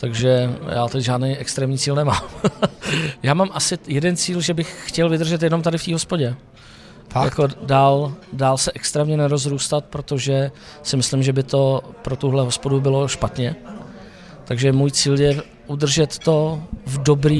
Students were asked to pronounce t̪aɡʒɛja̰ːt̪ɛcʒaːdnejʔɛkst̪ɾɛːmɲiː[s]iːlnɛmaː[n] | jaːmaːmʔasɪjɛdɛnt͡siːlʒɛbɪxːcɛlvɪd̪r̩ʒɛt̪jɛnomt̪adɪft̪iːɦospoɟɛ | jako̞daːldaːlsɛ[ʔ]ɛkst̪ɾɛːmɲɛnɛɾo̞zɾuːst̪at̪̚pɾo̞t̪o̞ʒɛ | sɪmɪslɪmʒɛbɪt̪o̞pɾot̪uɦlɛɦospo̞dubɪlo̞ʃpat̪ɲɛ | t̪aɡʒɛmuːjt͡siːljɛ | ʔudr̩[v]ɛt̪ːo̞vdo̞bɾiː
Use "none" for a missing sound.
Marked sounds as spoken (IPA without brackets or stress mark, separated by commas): t͡s, m, ʔ, ʒ